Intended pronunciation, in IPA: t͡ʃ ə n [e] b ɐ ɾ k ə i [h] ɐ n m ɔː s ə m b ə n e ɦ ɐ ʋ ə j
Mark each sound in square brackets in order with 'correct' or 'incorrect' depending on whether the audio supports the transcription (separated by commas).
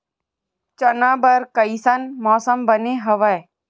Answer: incorrect, incorrect